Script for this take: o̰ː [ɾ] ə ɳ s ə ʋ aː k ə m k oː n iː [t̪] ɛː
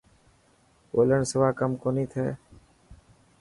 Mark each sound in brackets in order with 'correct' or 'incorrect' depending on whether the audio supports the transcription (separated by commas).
incorrect, incorrect